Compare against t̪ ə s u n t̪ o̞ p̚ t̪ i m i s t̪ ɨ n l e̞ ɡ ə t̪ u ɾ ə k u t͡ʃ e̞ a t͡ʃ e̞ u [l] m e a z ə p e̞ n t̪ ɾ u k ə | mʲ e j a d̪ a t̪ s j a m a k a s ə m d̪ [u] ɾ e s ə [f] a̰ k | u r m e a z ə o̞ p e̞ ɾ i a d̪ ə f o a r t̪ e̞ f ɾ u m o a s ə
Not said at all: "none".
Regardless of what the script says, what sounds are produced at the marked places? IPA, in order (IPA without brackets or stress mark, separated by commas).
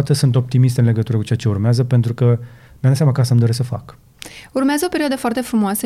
r, o, f